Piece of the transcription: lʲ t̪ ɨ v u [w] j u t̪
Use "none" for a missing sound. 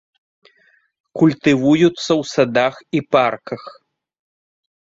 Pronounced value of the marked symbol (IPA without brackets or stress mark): none